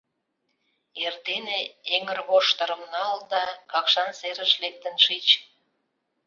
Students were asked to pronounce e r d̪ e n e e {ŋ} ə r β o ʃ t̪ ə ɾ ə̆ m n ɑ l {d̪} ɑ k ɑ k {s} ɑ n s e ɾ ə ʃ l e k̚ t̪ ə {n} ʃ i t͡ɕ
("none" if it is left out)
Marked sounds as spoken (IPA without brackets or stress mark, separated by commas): ŋ, d̪, ʃ, n